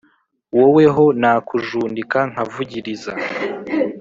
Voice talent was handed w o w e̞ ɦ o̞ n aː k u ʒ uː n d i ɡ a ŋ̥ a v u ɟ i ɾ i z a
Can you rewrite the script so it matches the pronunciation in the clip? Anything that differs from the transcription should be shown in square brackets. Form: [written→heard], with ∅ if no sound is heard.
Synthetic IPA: w o w e̞ ɦ o̞ n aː k u ʒ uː n d i [ɡ→k] a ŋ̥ a v u ɟ i ɾ i z a